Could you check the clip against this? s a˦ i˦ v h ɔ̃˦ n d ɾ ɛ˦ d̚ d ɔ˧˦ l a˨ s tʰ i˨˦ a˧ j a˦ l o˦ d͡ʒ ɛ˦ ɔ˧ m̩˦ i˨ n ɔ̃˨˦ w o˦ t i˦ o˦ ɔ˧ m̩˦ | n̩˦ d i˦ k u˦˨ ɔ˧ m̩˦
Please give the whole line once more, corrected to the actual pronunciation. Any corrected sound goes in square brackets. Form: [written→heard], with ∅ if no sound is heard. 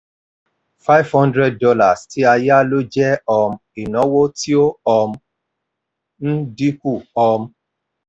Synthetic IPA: [s→f] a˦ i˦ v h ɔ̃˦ n d ɾ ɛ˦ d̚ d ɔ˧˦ l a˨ s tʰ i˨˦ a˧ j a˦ l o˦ d͡ʒ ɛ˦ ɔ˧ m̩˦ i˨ n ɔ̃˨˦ w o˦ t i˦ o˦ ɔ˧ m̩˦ | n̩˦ d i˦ k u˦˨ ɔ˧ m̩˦